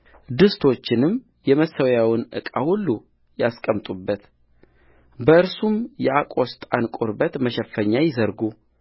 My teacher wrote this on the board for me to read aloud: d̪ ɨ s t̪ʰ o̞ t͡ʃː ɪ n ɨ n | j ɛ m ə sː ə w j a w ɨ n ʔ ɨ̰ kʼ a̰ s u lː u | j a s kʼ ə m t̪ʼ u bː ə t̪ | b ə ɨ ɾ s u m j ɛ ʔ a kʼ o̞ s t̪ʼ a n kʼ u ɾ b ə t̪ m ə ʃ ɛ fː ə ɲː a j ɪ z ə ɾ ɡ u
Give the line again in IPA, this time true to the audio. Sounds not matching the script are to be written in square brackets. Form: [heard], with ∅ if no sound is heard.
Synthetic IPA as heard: d̪ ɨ s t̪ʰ o̞ t͡ʃː ɪ n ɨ [m] | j ɛ m ə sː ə w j a w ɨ n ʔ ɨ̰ kʼ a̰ [h] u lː u | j a s kʼ ə m t̪ʼ u bː ə t̪ | b ə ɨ ɾ s u m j ɛ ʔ a kʼ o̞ s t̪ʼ a n kʼ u ɾ b ə t̪ m ə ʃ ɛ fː ə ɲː a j ɪ z ə ɾ ɡ u

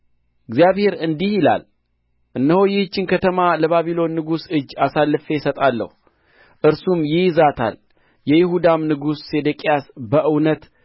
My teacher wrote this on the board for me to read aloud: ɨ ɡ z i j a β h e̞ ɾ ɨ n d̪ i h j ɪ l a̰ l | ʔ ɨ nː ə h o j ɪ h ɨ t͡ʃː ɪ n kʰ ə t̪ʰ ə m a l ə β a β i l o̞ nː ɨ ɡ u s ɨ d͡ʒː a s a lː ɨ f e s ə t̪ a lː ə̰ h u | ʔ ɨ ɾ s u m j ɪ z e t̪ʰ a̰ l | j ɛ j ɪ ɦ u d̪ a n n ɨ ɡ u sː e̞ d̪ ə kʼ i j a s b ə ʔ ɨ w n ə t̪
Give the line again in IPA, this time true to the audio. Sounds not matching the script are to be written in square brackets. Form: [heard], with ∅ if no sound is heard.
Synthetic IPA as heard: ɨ ɡ z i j a β h e̞ ɾ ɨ n d̪ i h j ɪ l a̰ l | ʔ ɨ nː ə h o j ɪ h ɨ t͡ʃː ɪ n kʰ ə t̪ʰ ə m a l ə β a β i l o̞ nː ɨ ɡ u s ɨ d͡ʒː a s a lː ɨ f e s ə [t̪ʼ] a lː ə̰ h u | ʔ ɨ ɾ s u m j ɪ z [a] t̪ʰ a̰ l | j ɛ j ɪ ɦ u d̪ a [m] n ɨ ɡ u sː e̞ d̪ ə kʼ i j a s b ə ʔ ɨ w n ə t̪

